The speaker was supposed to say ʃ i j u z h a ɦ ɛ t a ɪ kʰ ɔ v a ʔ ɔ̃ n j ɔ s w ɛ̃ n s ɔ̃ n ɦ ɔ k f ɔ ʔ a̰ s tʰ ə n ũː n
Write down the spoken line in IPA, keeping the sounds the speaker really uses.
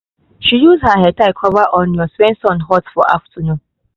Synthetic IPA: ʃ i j u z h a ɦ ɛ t a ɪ kʰ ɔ v a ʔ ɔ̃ n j ɔ s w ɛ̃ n s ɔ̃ n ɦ ɔ t f ɔ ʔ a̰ f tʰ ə n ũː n